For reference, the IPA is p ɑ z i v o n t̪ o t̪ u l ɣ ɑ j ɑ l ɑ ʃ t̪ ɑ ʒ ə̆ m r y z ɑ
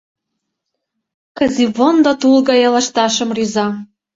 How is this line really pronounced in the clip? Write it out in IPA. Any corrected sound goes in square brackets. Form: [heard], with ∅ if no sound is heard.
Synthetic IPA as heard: [k] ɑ z i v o n [d̪] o t̪ u l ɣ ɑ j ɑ l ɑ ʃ t̪ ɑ [ʃ] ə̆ m r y z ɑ

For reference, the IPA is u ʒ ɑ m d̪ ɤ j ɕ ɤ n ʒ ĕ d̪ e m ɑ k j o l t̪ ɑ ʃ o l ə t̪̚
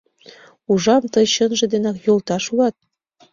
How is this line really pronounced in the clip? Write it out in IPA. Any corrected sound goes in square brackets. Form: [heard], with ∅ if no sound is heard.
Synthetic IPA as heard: u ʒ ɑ m [t̪] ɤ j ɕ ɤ n ʒ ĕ d̪ e [n] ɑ k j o l t̪ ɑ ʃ [u] l [ɑ] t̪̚

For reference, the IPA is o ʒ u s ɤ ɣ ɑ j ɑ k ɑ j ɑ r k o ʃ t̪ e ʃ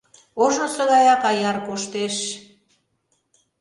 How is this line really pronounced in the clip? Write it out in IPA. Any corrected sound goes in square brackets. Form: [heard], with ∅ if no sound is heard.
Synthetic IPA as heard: o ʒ [o] s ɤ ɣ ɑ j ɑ k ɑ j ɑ r k o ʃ t̪ e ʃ

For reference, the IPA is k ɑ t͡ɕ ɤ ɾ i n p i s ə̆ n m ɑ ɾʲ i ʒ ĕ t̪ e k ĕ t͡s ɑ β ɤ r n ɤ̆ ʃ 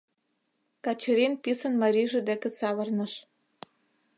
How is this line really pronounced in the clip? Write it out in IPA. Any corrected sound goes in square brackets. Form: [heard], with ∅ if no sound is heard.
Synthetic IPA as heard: k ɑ t͡ɕ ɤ ɾ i n p i s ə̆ n m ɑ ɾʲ i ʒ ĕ [d̪] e k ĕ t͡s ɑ β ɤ r n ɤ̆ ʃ

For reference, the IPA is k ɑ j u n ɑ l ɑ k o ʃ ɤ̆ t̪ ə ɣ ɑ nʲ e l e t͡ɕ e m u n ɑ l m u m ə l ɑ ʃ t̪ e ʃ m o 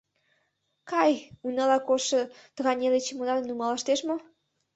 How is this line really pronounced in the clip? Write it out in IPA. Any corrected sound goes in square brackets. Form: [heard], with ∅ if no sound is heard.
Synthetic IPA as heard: k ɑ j u n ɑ l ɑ k o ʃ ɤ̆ t̪ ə ɣ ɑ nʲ e l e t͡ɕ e m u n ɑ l [n] u m [ɑ] l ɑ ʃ t̪ e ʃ m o

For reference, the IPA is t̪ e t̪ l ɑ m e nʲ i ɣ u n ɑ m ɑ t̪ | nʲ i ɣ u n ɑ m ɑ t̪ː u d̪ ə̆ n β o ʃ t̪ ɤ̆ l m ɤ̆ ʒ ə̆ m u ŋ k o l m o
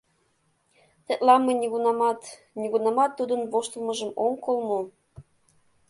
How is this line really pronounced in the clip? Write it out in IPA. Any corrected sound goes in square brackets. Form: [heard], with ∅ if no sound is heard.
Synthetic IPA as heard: t̪ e t̪ l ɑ m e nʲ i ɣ u n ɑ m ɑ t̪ | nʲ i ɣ u n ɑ m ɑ t̪ː u d̪ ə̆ n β o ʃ t̪ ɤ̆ l m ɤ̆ ʒ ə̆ m [o] ŋ k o l m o

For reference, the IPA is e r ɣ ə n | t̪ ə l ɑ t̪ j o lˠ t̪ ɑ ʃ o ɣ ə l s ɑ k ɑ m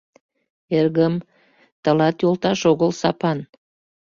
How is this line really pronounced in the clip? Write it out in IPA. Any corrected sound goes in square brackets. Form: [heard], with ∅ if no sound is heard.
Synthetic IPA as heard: e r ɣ ə [m] | t̪ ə l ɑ t̪ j o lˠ t̪ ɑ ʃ o ɣ ə l s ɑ [p] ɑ [n]

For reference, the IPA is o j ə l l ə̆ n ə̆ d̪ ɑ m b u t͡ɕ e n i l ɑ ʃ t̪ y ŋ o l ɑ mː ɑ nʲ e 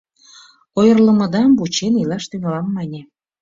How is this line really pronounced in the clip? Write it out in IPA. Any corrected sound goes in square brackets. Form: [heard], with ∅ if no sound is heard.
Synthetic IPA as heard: o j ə [r] l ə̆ [m] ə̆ d̪ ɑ m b u t͡ɕ e n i l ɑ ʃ t̪ y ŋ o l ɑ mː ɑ nʲ e

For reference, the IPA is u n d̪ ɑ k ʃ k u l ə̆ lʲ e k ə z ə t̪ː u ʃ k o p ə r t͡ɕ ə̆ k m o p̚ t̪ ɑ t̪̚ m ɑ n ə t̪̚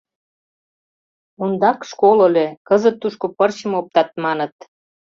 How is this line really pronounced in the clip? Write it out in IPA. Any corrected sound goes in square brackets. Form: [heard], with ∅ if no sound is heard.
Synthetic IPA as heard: u n d̪ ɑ k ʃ k [o] l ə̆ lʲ e k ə z ə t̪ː u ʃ k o p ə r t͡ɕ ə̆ [∅] m o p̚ t̪ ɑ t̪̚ m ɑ n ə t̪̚

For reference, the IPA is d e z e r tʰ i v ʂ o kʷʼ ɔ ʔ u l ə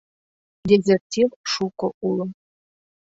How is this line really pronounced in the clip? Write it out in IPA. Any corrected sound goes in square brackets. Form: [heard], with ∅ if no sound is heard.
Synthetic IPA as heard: d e z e r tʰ i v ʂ [u] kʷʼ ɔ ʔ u l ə

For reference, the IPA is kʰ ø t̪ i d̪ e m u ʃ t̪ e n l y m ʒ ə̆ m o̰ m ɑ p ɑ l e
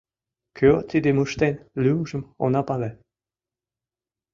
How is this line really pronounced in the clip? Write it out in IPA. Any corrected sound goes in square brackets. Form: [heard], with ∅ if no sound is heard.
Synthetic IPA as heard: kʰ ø t̪ i d̪ e m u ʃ t̪ e n l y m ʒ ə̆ m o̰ [n] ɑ p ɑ l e

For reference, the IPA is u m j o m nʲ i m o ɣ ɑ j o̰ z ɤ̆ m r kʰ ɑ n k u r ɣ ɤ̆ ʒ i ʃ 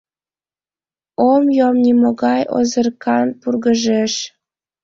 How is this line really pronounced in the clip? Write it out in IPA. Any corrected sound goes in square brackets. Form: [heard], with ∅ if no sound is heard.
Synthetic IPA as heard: [o] m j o m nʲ i m o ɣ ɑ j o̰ z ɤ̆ [∅] r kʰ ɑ n [p] u r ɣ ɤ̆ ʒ [e] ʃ

